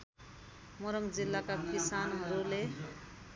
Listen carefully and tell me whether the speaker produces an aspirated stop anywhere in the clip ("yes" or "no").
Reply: no